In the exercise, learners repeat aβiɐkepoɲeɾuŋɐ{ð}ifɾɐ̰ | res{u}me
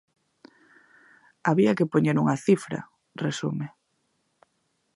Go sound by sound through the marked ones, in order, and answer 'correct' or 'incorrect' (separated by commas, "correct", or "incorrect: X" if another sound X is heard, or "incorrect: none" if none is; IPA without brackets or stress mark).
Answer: incorrect: θ, correct